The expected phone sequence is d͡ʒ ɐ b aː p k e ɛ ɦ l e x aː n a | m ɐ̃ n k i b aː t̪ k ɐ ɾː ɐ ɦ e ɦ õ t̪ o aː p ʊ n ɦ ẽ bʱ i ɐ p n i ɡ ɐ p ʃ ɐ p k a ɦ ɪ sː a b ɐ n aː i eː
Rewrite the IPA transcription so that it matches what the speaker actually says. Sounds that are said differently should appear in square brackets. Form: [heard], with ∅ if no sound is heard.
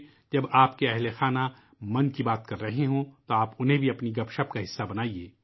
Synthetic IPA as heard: d͡ʒ ɐ b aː p k e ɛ ɦ l e x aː n a | m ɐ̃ n k i b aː t̪ k ɐ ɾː ɐ ɦ e ɦ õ t̪ o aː p ʊ n ɦ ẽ bʱ i ɐ p n i ɡ ɐ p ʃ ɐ p k a ɦ ɪ sː a b ɐ n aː i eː